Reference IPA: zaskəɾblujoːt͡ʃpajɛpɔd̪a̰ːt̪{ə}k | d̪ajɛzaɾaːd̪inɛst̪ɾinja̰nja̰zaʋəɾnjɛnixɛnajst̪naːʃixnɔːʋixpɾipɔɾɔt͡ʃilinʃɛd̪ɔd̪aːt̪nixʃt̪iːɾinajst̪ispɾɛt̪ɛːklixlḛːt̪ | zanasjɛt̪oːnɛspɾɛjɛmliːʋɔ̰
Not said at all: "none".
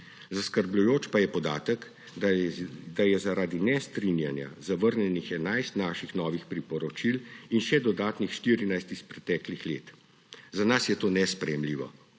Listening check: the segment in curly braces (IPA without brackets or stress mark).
ə